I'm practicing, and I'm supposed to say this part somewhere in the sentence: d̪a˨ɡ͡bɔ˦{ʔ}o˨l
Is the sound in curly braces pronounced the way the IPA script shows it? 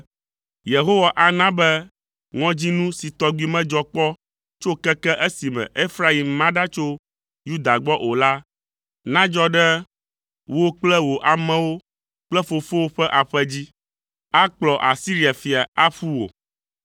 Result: yes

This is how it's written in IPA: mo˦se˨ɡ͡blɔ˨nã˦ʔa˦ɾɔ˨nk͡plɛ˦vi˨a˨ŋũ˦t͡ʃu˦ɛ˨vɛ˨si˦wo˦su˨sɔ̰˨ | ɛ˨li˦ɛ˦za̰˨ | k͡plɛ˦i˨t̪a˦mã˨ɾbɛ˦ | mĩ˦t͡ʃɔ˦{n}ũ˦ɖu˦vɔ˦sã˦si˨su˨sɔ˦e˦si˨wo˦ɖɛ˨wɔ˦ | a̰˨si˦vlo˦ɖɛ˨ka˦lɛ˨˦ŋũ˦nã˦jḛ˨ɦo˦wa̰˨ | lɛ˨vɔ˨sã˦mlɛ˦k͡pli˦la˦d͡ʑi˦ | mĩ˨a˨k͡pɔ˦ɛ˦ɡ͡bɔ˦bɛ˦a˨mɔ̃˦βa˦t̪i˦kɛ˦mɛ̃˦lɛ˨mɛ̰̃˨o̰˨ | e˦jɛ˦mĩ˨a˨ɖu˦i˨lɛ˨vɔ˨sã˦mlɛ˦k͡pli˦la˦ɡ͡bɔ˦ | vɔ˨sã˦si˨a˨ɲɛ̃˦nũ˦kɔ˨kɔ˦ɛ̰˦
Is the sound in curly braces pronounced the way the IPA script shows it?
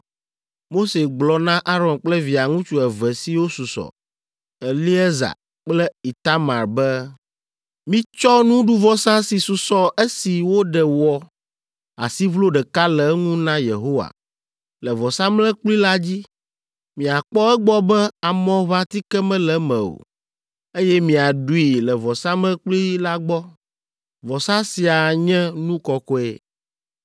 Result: yes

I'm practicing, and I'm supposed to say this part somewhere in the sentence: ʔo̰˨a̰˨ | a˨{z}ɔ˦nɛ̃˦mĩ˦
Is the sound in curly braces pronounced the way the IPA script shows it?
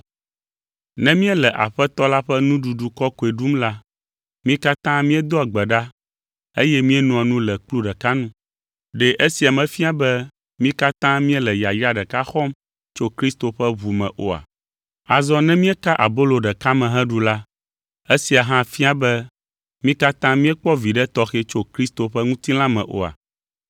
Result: yes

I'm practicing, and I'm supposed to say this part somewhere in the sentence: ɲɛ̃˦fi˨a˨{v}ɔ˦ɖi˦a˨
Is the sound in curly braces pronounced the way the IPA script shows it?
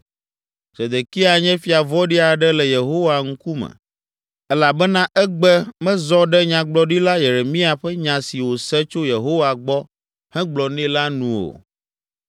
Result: yes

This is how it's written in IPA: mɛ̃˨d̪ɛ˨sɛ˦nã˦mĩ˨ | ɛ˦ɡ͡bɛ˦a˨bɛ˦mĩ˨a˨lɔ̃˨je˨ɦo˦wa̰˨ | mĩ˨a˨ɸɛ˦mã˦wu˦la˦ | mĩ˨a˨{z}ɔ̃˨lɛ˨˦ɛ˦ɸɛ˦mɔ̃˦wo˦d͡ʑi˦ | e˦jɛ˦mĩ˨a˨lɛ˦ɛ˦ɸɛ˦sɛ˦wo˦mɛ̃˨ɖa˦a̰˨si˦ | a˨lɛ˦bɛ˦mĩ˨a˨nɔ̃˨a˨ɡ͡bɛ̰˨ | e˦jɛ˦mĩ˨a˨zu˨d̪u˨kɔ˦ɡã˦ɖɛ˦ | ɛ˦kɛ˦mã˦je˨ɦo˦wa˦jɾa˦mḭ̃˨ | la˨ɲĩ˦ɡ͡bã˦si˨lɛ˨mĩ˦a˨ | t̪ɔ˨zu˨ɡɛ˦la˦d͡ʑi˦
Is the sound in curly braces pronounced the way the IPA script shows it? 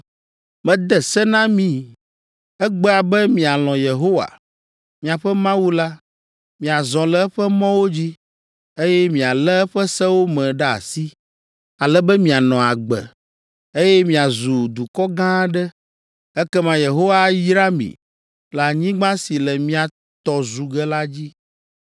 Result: yes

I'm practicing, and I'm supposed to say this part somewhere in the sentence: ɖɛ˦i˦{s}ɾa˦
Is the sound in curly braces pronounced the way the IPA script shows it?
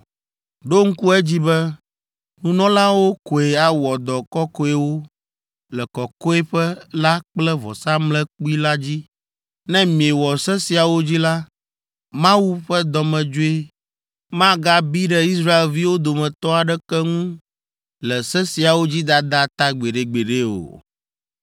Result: yes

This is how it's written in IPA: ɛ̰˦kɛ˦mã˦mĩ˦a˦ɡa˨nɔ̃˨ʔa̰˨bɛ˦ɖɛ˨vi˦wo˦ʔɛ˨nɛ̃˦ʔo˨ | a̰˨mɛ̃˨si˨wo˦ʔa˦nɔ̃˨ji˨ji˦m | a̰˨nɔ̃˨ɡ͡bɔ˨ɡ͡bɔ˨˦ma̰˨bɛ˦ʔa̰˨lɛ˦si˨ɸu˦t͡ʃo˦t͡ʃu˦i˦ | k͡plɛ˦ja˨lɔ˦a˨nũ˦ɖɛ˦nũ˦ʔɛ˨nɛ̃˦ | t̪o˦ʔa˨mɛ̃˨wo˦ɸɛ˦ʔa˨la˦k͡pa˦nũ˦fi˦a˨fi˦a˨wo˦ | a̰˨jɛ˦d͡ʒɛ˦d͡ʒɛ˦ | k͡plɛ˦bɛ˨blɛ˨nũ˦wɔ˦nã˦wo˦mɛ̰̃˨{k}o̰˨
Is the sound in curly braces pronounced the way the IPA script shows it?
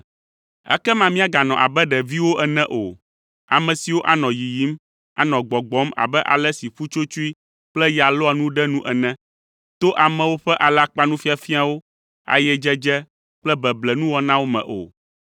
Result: no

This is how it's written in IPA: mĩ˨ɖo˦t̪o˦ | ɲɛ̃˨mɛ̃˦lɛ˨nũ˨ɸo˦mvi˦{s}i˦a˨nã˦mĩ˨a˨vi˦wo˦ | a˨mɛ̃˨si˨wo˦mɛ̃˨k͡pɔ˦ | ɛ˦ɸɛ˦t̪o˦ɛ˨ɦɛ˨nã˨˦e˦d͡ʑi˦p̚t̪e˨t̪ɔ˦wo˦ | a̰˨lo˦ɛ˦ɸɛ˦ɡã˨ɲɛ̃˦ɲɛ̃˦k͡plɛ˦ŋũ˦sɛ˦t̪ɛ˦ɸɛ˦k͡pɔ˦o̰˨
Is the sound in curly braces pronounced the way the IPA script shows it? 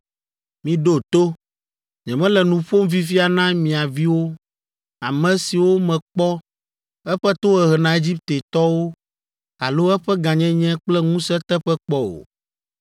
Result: no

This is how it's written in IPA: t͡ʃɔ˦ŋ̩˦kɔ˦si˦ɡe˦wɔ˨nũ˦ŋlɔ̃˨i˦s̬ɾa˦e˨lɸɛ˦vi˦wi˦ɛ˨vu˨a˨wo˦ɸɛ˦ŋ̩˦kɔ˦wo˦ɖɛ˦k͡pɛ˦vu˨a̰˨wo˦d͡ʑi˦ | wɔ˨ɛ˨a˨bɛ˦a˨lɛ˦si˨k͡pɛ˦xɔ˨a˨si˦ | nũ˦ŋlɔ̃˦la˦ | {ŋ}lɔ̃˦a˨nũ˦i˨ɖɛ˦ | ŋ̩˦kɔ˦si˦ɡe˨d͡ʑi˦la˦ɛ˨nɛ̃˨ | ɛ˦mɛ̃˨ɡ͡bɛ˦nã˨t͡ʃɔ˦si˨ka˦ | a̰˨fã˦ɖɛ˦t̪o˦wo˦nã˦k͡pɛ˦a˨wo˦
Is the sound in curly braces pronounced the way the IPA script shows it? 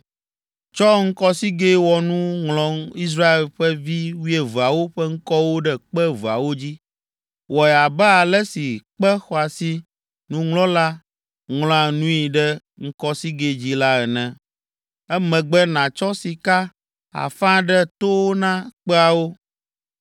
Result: yes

